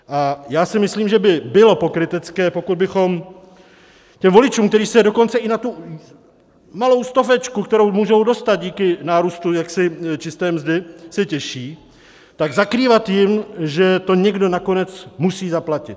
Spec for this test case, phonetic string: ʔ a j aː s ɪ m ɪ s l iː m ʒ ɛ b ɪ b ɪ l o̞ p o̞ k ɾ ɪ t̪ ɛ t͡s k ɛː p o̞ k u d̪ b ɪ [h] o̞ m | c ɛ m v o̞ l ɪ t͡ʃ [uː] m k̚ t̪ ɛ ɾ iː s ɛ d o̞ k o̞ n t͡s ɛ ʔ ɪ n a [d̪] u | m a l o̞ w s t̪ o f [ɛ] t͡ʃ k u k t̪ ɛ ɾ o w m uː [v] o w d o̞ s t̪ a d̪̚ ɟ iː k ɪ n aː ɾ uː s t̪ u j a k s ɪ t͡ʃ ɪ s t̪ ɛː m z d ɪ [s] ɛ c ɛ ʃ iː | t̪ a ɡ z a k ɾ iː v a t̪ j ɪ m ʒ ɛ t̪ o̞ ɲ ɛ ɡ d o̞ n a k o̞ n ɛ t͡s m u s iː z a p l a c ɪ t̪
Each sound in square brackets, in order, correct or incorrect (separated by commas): incorrect, correct, incorrect, correct, incorrect, correct